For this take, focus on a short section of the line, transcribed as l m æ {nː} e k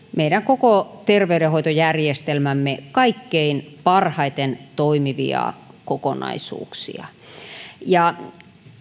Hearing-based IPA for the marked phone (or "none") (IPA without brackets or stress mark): mː